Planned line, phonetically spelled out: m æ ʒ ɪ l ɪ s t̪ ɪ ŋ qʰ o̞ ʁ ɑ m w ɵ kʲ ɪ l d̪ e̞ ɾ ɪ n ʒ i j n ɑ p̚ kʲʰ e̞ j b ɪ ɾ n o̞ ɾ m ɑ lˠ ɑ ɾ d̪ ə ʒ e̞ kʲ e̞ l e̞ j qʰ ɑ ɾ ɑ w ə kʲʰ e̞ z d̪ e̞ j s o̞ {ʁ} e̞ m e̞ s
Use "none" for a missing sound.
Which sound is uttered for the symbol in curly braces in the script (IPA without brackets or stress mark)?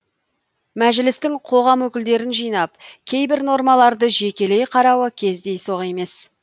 ʁ